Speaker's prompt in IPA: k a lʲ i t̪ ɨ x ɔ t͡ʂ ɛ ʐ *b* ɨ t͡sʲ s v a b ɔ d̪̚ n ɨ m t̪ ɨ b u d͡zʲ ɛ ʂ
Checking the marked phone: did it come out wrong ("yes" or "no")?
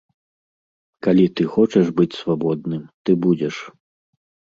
no